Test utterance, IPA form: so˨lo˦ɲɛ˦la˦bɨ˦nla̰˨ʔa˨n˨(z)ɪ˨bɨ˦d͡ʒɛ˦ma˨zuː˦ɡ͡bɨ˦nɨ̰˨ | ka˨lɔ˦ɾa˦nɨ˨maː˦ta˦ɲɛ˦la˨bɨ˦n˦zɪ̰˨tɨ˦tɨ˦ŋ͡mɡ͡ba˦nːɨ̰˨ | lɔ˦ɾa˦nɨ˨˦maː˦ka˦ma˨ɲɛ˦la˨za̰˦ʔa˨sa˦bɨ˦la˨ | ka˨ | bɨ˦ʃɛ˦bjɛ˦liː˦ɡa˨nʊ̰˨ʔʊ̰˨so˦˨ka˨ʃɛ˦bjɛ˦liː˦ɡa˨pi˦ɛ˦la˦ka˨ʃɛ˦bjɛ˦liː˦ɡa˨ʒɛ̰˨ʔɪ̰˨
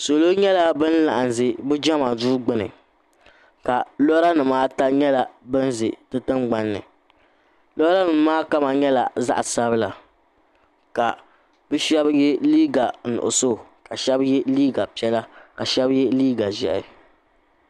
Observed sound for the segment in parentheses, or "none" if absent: z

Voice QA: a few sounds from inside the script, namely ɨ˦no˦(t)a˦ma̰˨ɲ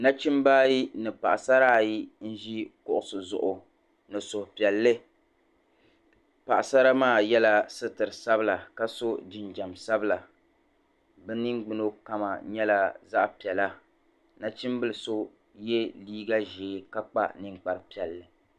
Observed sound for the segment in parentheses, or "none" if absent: k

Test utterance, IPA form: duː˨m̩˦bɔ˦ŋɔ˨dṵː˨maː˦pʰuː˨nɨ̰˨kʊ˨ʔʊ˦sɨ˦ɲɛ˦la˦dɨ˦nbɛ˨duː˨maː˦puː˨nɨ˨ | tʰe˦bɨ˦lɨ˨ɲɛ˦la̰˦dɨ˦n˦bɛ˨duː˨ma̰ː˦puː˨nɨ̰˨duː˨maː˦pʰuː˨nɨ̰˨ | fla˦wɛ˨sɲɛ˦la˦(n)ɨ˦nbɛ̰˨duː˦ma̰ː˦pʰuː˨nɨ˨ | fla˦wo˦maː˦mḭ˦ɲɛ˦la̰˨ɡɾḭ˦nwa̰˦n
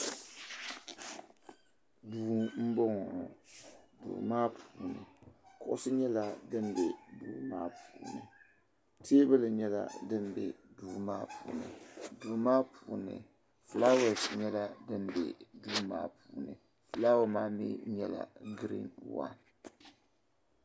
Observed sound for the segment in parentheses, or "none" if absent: d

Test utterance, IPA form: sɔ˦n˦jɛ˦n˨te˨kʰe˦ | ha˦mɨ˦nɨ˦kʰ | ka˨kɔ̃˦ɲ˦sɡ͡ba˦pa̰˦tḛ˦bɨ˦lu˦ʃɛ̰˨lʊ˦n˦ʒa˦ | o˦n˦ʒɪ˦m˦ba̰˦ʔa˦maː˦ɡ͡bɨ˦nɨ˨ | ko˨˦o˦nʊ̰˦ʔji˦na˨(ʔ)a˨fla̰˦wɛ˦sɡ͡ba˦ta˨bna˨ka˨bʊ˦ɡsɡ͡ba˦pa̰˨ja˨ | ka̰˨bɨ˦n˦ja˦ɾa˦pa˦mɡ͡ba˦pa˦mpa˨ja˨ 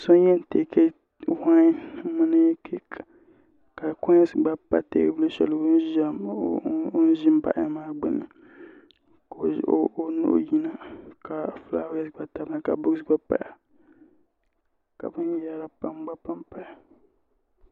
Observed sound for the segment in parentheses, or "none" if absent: k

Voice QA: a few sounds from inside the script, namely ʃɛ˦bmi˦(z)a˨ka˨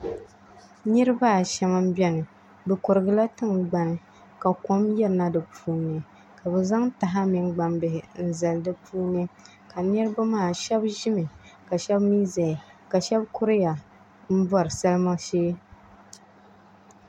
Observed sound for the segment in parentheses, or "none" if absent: z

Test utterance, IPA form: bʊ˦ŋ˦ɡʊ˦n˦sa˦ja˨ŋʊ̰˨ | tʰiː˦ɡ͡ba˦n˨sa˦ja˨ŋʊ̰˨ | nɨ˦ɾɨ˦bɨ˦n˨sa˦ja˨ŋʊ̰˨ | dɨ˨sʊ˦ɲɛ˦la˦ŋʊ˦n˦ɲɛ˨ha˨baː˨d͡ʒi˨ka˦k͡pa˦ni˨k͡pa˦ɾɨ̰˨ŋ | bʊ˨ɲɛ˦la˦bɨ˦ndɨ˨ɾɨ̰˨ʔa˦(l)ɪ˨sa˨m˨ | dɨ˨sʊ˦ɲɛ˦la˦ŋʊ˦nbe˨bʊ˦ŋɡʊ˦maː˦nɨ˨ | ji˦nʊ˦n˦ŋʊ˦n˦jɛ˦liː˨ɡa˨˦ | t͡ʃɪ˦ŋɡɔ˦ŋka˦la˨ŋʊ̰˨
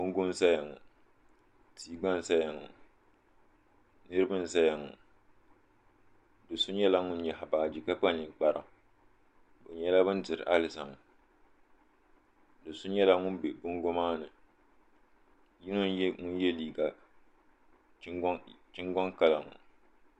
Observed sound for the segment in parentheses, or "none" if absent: l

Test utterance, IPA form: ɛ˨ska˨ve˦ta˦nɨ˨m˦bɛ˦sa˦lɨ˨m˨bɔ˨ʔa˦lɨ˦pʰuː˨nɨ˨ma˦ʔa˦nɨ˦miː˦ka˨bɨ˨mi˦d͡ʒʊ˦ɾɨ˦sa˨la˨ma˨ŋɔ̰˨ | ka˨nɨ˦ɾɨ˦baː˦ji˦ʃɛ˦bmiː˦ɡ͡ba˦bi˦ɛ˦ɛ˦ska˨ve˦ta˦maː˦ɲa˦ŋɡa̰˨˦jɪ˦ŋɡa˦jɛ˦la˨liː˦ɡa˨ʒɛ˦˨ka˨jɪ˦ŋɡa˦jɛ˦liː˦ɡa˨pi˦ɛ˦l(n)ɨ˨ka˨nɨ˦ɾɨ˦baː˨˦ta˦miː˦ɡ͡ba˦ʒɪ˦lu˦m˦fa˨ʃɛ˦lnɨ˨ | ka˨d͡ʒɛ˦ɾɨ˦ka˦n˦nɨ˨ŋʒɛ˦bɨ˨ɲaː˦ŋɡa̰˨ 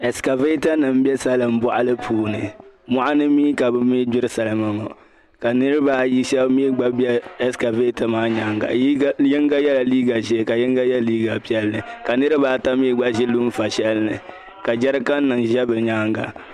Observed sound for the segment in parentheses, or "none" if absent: n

